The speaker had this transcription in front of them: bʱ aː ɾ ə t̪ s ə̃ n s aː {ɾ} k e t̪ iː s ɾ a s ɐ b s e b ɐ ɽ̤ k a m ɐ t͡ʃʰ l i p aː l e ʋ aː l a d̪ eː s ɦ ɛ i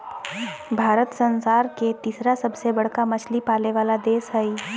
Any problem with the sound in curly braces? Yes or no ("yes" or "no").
no